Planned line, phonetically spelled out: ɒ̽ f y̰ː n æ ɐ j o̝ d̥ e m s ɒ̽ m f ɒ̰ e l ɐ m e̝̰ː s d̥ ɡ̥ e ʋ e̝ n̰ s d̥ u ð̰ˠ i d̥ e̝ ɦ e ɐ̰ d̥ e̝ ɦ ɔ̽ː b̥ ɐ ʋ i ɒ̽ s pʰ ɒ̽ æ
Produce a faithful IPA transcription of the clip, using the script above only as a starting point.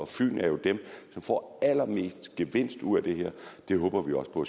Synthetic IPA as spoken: ɒ̽ f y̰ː n æ ɐ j o̝ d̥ e m s ɒ̽ m f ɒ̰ æ l ɐ m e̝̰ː s d̥ ɡ̥ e ʋ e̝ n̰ s d̥ u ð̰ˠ æ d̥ e̝ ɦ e ɐ̰ d̥ e̝ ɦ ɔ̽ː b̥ ɐ ʋ i ɒ̽ s pʰ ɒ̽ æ